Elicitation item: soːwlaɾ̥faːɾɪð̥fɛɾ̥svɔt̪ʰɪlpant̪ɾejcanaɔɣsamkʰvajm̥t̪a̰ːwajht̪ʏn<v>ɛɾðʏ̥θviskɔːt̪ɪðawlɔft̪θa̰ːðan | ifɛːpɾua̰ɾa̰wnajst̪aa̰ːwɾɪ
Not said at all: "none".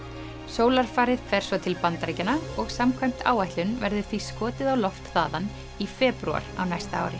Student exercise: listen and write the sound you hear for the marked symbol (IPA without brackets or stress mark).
v